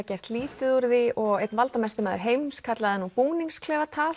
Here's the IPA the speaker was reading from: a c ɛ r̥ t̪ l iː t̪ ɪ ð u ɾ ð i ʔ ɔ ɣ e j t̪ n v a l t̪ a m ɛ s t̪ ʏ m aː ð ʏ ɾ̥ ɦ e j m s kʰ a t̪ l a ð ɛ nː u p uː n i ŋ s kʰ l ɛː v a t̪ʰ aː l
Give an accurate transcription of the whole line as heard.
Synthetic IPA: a c ɛ r̥ t̪ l iː t̪ ɪ ð u ɾ ð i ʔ ɔ ɣ e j t̪ n v a l t̪ a m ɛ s t̪ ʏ m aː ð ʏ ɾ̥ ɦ e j m s kʰ a t̪ l a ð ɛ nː u p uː n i ŋ s kʰ l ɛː v a t̪ʰ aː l